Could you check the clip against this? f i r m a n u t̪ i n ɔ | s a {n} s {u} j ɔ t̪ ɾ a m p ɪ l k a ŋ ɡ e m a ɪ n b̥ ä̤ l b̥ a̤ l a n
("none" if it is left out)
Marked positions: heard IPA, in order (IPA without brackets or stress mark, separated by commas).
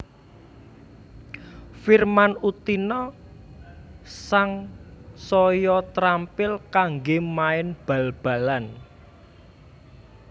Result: ŋ, ɔ